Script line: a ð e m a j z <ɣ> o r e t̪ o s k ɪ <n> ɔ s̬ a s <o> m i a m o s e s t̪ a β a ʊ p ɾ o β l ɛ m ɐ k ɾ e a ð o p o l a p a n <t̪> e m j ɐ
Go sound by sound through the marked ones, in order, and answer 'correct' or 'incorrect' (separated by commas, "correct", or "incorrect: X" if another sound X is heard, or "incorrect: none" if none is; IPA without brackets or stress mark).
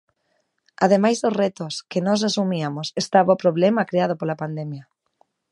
incorrect: ð, correct, incorrect: u, incorrect: d̪